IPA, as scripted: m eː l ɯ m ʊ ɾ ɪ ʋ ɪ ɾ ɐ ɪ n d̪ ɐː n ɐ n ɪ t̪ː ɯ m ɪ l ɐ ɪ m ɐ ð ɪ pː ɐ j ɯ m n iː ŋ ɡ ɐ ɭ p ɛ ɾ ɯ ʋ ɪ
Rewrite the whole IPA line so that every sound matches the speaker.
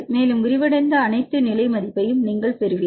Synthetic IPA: m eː l ɯ m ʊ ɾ ɪ ʋ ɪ ɽ ɐ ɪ n d̪ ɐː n ɐ ɪ t̪ː ɯ n ɪ l ɐ ɪ m ɐ ð ɪ pː ɐ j ɯ m n iː ŋ ɡ ɐ ɭ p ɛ ɾ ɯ ʋ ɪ